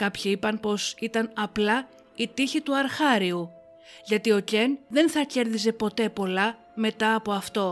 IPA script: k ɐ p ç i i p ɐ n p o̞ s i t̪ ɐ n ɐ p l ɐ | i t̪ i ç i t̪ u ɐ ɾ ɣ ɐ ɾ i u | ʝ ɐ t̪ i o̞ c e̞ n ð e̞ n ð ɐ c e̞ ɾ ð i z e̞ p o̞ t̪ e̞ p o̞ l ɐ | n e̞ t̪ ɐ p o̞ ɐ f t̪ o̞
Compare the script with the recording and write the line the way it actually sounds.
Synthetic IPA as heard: k ɐ p ç i i p ɐ n p o̞ s i t̪ ɐ n ɐ p l ɐ | i t̪ i ç i t̪ u ɐ ɾ x ɐ ɾ i u | ʝ ɐ t̪ i o̞ c e̞ n ð e̞ n θ ɐ c e̞ ɾ ð i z e̞ p o̞ t̪ e̞ p o̞ l ɐ | m e̞ t̪ ɐː p o̞ ɐ f t̪ o̞